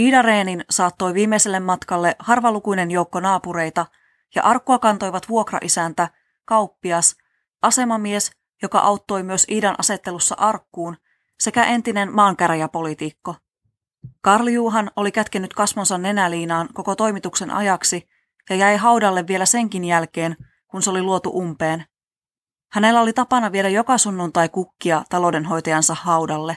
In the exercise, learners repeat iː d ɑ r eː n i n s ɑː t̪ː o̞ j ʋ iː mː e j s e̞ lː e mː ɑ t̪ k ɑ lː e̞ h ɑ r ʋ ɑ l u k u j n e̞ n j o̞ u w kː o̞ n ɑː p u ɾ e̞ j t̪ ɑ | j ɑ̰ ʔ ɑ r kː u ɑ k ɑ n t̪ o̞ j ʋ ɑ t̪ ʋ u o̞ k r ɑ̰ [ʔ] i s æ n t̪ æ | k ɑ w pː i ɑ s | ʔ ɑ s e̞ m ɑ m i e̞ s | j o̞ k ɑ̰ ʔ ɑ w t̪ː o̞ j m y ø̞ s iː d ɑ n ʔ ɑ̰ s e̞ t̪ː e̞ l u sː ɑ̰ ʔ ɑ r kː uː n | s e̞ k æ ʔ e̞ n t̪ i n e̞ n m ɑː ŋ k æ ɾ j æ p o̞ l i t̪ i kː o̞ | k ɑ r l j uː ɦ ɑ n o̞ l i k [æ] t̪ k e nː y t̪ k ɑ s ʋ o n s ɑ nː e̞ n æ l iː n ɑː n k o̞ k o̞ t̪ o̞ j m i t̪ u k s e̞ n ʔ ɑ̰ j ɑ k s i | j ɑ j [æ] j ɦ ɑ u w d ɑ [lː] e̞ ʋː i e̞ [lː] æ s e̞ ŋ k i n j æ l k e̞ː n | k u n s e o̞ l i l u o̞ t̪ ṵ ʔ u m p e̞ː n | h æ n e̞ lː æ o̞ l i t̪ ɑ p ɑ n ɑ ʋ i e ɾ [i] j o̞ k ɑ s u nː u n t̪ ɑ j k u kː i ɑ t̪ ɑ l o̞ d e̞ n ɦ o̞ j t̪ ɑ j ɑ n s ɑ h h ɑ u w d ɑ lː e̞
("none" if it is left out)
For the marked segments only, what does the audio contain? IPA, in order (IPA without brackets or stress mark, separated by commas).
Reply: ʔ, æ, æ, lː, l, æ